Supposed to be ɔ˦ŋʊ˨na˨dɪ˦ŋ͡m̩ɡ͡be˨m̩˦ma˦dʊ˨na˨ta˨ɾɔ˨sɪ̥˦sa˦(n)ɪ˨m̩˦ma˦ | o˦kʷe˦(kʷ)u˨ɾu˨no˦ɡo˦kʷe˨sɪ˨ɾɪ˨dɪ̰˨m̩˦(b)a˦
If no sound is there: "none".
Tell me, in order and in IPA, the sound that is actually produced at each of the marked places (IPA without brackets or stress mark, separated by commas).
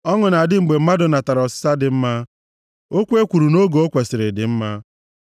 d, kʷ, m